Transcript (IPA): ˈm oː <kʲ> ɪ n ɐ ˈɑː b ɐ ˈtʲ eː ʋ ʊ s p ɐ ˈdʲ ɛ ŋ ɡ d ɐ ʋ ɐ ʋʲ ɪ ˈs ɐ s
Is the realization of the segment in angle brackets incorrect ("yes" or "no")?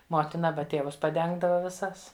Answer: yes